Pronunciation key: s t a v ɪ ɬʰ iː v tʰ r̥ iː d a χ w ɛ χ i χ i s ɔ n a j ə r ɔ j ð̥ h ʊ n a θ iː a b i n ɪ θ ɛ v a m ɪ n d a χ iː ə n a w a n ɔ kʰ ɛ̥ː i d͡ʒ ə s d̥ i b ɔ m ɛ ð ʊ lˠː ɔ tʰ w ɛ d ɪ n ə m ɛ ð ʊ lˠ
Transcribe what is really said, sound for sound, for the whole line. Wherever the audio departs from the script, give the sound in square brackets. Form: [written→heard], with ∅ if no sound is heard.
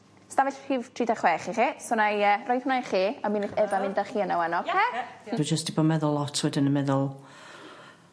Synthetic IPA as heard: s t a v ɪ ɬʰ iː v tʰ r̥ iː d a χ w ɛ χ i χ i s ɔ n a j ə r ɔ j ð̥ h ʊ n a [θ→χ] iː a [b→m] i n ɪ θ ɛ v a m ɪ n d a χ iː ə n a w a n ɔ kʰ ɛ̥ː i d͡ʒ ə s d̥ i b ɔ m ɛ ð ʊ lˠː ɔ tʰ w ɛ d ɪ n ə m ɛ ð ʊ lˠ